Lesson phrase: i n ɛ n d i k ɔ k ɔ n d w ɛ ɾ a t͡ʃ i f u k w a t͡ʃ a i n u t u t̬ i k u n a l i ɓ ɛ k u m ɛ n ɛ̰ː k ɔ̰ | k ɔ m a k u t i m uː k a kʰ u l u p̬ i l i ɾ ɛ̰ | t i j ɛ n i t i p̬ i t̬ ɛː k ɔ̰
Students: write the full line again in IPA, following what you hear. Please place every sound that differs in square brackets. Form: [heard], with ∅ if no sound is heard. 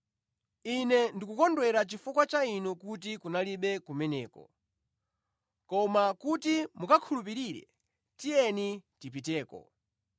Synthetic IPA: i n ɛ n d i k [u] k ɔ n d w ɛ ɾ a t͡ʃ i f u k w a t͡ʃ a i n u [k] u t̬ i k u n a l i ɓ ɛ k u m ɛ n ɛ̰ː k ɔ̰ | k ɔ m a k u t i m [u] k a kʰ u l u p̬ i [ɾ] i ɾ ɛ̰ | t i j ɛ n i t i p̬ i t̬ ɛː k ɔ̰

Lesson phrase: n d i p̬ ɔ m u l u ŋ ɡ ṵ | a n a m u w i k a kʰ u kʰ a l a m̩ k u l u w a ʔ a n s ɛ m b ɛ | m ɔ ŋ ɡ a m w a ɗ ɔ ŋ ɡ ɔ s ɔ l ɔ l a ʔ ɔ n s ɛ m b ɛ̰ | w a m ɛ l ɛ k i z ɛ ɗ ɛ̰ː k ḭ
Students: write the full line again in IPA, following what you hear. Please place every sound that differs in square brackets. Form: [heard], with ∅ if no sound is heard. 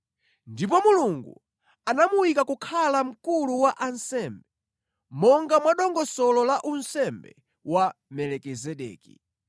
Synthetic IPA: n d i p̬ ɔ m u l u ŋ ɡ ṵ | a n a m u w i k a [k] u kʰ a l a m̩ k u l u w a ʔ a n s ɛ m b ɛ | m ɔ ŋ ɡ a m w a ɗ ɔ ŋ ɡ ɔ s ɔ l ɔ l a ʔ [u] n s ɛ m b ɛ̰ | w a m ɛ l ɛ k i z ɛ ɗ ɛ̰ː k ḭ

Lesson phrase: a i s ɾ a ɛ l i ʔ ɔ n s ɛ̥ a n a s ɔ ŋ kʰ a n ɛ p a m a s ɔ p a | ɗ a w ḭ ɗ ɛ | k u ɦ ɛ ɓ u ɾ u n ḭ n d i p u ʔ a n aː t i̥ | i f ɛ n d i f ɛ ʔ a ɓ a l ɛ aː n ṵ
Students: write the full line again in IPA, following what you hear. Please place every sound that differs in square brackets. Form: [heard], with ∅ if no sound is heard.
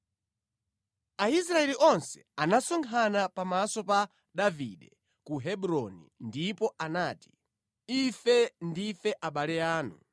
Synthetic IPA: a i s ɾ a ɛ l i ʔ ɔ n s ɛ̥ a n a s ɔ ŋ kʰ a n [a] p a m a s ɔ p a | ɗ a [v] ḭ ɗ ɛ | k u ɦ ɛ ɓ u ɾ [ɔ] n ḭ n d i p [ɔ] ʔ a n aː t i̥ | i f ɛ n d i f ɛ ʔ a ɓ a l ɛ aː n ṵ

